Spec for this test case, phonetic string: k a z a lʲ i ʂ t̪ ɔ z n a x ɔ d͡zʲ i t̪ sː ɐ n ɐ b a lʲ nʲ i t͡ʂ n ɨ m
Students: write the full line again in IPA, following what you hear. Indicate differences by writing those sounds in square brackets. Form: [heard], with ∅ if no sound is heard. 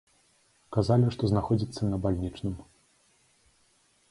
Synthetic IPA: k a z a lʲ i ʂ t̪ ɔ z n a x ɔ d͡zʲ i t̪ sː ɐ n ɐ b a lʲ nʲ i t͡ʂ n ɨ m

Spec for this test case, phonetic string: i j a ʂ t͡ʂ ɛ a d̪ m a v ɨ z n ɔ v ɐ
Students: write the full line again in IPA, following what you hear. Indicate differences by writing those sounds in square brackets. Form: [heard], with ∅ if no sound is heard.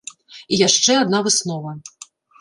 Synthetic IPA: i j a ʂ t͡ʂ ɛ a d̪ [n] a v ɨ [s] n ɔ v ɐ

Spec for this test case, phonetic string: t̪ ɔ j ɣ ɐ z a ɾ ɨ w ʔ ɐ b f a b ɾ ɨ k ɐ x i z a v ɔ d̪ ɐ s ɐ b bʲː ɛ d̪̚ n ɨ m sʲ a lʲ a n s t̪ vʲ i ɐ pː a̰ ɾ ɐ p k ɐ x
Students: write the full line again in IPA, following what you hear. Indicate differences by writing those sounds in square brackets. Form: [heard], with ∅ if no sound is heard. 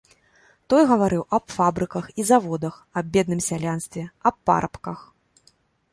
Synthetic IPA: t̪ ɔ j ɣ ɐ [v] a ɾ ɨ w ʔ ɐ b f a b ɾ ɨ k ɐ x i z a v ɔ d̪ ɐ [x] ɐ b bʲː ɛ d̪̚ n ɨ m sʲ a lʲ a n s t̪ vʲ [ɛ] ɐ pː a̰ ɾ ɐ p k ɐ x

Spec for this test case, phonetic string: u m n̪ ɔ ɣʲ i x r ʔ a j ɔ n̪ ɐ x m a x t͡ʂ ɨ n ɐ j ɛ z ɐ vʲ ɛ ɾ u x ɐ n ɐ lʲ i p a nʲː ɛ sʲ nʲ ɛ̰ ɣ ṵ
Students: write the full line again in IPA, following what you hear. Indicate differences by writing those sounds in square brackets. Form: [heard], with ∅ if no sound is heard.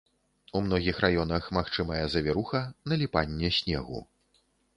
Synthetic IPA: u m n̪ ɔ ɣʲ i x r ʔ a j ɔ n̪ ɐ x m a x t͡ʂ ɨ [m] ɐ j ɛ z ɐ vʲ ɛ ɾ u x ɐ n ɐ lʲ i p a nʲː ɛ sʲ nʲ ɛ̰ ɣ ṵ

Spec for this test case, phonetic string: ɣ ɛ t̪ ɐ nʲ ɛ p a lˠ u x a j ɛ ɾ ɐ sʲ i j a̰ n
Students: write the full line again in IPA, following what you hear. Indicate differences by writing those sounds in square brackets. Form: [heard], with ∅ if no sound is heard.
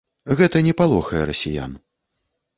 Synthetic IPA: ɣ ɛ t̪ ɐ nʲ ɛ p a lˠ [ɔ] x [ɐ] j ɛ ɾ ɐ sʲ i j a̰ n

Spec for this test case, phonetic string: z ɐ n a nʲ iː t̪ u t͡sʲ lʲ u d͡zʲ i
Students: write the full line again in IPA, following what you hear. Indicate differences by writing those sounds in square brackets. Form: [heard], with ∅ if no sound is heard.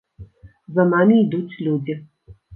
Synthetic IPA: z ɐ n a [mʲ] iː [d̪] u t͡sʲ lʲ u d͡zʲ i

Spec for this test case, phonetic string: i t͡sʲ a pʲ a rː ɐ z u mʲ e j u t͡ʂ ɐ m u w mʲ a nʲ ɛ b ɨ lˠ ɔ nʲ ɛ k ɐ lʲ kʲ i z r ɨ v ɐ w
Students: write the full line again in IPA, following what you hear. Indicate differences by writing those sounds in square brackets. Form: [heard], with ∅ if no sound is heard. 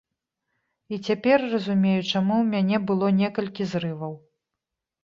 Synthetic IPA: i t͡sʲ a pʲ [ɛ] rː ɐ z u mʲ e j u t͡ʂ [a] m u w mʲ a nʲ ɛ b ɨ lˠ ɔ nʲ ɛ k ɐ lʲ kʲ i z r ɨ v ɐ w

